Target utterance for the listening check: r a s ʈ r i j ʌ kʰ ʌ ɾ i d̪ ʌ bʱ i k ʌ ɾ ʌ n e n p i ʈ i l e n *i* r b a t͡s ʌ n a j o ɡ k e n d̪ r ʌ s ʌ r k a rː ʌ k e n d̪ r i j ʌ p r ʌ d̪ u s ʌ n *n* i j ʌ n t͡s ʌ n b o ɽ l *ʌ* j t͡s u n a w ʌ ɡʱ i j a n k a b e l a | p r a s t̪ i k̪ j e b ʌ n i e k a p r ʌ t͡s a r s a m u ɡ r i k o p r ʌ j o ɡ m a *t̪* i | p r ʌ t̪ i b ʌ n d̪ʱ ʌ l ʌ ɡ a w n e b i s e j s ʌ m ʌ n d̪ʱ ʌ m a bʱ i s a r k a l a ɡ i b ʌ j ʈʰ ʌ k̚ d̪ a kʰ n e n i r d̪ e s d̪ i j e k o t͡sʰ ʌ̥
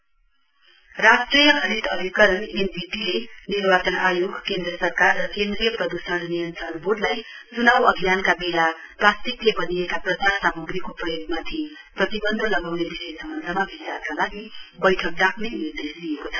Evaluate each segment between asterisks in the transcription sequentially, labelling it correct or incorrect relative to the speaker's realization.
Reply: correct, correct, incorrect: a, incorrect: t̪ʰ

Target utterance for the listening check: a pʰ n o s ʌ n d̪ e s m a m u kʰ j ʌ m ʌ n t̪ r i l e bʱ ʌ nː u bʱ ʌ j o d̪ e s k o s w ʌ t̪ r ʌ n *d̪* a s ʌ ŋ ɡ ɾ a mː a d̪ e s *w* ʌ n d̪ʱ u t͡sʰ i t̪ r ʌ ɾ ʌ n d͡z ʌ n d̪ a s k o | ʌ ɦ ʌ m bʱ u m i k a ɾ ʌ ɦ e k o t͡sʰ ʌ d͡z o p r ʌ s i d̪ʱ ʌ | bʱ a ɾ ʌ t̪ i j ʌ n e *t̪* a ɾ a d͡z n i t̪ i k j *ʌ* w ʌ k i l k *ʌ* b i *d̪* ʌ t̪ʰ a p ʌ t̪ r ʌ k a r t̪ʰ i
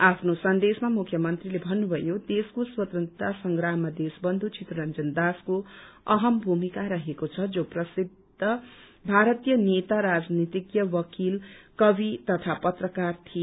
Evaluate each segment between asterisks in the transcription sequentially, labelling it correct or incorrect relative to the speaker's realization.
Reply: incorrect: t̪, incorrect: b, correct, correct, correct, incorrect: t̪

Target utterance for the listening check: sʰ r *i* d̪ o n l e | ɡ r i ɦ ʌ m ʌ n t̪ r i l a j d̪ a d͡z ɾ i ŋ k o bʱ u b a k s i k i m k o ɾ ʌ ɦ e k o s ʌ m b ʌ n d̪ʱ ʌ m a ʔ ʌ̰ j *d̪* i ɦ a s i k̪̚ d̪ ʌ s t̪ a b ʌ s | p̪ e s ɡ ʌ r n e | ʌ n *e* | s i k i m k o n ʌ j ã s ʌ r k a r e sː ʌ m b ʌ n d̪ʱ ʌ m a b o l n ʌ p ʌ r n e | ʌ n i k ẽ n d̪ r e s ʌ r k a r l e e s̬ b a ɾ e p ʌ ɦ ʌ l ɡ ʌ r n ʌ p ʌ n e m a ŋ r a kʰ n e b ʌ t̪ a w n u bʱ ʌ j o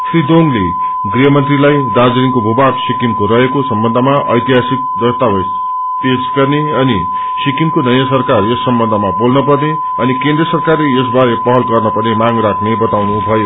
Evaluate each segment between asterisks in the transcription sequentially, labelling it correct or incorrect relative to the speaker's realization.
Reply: correct, incorrect: t̪, incorrect: i

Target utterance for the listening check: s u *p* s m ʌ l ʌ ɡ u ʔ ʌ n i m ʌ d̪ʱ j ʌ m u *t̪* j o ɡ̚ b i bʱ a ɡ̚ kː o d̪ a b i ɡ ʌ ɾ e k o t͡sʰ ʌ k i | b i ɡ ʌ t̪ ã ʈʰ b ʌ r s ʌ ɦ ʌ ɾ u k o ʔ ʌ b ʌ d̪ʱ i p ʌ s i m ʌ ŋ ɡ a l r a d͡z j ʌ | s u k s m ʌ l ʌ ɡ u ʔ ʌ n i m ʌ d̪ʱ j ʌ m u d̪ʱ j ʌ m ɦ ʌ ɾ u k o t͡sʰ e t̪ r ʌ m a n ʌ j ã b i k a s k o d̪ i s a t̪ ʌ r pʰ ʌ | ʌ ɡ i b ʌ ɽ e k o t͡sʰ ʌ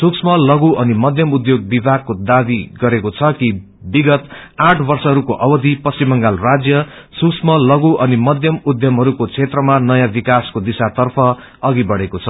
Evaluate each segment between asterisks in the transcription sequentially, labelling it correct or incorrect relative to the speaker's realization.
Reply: incorrect: k, incorrect: d̪

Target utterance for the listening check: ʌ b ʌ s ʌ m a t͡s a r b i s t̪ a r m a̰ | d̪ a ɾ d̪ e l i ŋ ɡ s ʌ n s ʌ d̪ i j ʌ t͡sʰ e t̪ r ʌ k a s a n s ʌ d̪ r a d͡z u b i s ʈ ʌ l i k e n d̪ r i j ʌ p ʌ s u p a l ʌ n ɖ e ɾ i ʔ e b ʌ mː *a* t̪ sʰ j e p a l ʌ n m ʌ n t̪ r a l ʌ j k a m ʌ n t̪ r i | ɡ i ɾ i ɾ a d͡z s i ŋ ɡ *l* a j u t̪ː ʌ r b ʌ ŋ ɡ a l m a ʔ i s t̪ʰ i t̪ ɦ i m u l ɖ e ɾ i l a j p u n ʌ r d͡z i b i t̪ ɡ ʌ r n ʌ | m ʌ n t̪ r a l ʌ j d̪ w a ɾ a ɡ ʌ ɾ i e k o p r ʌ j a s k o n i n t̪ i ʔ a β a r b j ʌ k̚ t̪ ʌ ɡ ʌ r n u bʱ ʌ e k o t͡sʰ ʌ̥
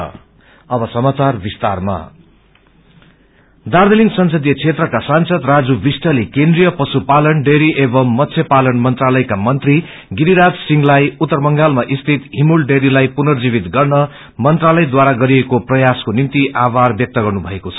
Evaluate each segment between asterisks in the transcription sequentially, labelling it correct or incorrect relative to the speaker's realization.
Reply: incorrect: ʌ, correct

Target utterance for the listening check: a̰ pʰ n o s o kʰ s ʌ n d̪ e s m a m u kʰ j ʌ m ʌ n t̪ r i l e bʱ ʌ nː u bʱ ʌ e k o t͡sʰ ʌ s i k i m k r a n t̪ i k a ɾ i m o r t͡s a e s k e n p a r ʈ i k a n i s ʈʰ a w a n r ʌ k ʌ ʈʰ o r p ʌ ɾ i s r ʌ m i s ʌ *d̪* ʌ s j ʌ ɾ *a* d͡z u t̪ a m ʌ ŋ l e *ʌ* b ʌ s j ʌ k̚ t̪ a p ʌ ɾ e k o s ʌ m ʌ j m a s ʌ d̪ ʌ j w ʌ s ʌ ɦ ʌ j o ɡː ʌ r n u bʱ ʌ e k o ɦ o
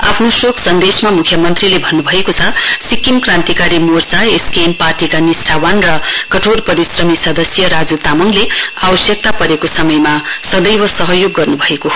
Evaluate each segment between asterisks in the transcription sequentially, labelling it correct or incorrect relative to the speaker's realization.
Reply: correct, correct, incorrect: a

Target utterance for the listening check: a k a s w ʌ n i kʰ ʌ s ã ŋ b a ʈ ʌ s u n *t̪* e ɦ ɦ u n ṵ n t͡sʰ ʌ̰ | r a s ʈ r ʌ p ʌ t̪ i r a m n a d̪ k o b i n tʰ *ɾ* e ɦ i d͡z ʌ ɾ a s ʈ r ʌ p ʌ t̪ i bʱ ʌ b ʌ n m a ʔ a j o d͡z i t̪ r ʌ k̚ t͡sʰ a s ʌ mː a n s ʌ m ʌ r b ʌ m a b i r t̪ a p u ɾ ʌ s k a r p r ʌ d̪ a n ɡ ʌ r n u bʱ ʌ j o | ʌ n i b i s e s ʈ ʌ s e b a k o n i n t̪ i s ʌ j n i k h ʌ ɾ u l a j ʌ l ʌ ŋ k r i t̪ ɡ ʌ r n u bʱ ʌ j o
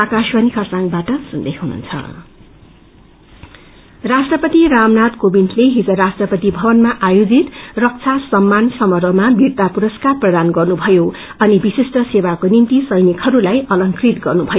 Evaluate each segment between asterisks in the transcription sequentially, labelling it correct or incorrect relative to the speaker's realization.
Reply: incorrect: d̪, incorrect: l

